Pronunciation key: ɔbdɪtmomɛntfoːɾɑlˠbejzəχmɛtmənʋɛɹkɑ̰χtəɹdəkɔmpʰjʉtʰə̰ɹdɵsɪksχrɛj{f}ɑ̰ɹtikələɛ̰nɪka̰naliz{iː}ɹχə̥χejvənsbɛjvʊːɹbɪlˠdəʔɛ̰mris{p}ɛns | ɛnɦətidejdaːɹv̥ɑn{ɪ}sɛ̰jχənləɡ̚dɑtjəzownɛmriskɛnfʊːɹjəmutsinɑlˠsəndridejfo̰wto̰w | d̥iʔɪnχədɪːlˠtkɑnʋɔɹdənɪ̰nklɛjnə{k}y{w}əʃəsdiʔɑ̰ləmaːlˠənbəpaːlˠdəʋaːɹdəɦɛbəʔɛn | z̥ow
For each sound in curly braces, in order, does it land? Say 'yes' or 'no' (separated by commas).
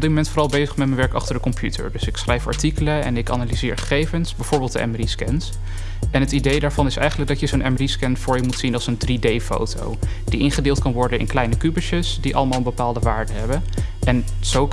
yes, no, no, yes, yes, no